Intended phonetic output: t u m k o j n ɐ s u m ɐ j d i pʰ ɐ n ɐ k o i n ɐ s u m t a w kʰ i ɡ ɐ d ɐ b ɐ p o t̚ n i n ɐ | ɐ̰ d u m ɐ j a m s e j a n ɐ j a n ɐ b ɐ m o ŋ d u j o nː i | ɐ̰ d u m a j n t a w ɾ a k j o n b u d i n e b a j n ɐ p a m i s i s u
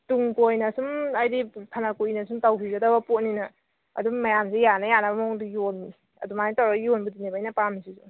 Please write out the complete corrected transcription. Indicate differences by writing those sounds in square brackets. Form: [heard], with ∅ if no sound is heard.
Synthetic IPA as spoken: t u [ŋ] k o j n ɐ s u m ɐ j d i pʰ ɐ n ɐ k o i n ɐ s u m t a w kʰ i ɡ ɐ d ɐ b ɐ p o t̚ n i n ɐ | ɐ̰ d u m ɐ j a m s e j a n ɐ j a n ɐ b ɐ m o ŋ d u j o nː i | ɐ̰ d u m a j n t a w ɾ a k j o n b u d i n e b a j n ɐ p a m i s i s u